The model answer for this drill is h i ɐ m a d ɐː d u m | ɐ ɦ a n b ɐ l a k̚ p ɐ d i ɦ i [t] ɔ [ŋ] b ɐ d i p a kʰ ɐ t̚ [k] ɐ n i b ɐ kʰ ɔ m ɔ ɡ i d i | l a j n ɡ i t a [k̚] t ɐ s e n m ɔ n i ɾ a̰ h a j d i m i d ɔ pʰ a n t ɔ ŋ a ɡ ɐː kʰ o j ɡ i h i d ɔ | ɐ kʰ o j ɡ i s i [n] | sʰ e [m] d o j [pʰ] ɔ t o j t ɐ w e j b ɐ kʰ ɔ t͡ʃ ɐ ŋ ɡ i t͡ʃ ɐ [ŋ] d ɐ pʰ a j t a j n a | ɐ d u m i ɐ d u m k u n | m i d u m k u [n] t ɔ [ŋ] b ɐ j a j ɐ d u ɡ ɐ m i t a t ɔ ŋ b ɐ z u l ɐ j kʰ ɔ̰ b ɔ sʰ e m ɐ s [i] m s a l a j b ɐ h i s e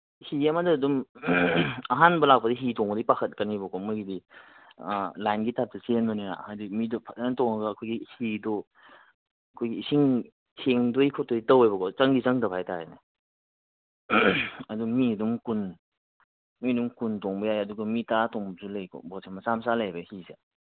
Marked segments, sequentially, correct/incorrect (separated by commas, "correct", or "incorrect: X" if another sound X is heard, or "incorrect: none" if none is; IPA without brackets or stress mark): correct, correct, correct, incorrect: p̚, incorrect: ŋ, incorrect: ŋ, incorrect: kʰ, correct, correct, correct, incorrect: a